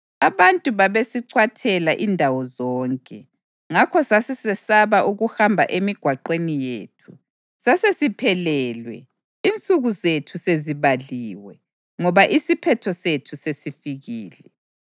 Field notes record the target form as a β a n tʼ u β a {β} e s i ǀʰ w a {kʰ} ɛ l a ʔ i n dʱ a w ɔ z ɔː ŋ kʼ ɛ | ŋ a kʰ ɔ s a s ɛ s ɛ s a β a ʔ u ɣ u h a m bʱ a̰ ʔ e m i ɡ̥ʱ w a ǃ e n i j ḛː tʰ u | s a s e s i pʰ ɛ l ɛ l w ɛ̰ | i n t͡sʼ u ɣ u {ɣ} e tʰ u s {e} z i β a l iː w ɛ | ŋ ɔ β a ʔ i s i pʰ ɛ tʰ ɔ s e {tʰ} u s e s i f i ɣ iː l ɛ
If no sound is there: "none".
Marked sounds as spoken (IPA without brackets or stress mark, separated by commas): β, tʰ, z, e, tʰ